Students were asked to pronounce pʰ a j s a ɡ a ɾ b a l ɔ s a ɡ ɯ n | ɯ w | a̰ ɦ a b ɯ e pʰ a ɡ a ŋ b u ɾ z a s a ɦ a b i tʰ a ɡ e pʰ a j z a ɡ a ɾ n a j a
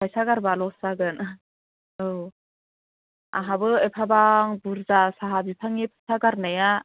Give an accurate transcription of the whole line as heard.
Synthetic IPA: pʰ a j s a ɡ a ɾ b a l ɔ s a ɡ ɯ n | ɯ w | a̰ ɦ a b ɯ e pʰ a b a ŋ b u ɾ z a s a ɦ a b i pʰ a ŋ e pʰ a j s a ɡ a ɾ n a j a